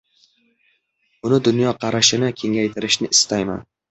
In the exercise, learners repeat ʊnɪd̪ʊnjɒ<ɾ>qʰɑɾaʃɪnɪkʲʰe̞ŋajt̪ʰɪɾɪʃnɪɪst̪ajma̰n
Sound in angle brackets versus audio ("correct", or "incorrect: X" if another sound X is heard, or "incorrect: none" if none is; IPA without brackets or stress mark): incorrect: none